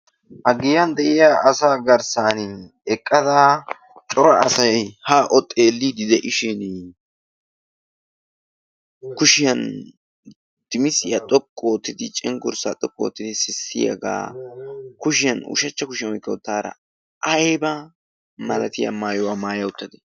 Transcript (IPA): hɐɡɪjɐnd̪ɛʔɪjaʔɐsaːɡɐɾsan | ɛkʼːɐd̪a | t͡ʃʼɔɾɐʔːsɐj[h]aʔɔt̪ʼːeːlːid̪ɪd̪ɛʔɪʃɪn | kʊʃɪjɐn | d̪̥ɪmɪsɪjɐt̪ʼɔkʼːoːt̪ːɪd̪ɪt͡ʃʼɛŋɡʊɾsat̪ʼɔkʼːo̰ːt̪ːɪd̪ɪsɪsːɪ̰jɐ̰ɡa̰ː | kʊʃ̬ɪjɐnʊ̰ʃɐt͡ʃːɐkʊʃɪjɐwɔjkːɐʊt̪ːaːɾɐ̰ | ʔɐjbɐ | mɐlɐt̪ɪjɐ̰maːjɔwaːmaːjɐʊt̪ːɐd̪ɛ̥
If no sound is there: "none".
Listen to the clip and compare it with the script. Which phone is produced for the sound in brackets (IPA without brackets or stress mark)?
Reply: h